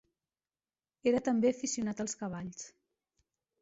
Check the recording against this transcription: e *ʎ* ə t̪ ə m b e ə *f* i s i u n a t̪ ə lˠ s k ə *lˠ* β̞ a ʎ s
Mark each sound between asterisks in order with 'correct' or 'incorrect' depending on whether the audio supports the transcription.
incorrect: ɾ, correct, incorrect: none

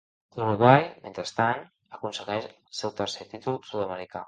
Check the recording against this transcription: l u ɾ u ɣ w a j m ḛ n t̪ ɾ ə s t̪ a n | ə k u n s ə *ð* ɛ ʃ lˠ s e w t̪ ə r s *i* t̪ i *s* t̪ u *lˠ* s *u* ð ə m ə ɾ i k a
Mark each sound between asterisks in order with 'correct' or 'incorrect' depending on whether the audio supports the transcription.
incorrect: ɣ, incorrect: e, incorrect: none, correct, correct

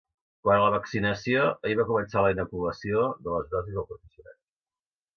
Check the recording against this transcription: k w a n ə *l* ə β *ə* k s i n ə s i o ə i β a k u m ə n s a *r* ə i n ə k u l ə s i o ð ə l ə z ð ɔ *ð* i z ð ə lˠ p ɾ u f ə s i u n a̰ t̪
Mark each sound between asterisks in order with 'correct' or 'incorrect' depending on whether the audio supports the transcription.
correct, correct, incorrect: l, incorrect: z

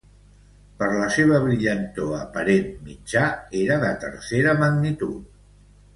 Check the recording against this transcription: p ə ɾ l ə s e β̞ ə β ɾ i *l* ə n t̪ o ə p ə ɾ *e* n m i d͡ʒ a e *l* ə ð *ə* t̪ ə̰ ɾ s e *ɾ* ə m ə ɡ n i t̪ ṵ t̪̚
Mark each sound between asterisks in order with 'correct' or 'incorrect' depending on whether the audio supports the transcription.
incorrect: ʎ, correct, incorrect: ɾ, correct, correct

